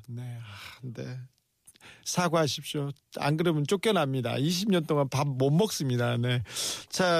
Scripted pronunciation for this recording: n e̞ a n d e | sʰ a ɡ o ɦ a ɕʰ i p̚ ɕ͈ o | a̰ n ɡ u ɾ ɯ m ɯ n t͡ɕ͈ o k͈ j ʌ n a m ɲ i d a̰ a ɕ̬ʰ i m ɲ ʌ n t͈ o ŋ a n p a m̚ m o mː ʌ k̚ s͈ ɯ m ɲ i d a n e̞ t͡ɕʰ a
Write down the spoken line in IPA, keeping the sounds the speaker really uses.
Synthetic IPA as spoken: n e̞ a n d e | sʰ a ɡ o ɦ a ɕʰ i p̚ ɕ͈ o | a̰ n ɡ ɯ ɾ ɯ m ɯ n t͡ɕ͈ o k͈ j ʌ n a m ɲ i d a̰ i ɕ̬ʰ i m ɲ ʌ n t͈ o ŋ a n p a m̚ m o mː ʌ k̚ s͈ ɯ m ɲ i d a n e̞ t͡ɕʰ a